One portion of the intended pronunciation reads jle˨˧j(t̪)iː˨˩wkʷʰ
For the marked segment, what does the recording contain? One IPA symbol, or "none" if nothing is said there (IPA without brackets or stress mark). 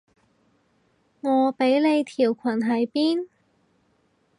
t̪ʰ